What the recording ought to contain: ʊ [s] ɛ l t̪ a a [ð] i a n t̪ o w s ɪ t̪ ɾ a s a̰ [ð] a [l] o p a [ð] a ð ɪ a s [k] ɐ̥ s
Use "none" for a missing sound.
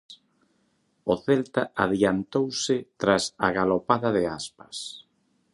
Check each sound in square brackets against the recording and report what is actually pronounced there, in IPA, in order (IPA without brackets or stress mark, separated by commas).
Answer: θ, ð, ɣ, l, ð, p